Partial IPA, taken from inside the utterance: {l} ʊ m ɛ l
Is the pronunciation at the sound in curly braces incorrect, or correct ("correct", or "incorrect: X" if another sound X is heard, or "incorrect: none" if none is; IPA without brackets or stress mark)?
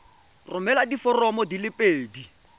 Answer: incorrect: r